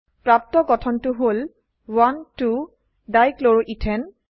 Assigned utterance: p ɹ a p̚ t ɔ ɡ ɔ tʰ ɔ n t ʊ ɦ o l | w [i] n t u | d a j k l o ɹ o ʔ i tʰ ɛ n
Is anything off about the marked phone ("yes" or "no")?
yes